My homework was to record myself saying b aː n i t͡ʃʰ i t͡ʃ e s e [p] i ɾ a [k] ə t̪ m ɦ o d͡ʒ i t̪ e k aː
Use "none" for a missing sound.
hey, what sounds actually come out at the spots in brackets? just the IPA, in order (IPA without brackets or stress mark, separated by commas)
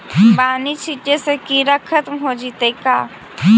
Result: k, kʰ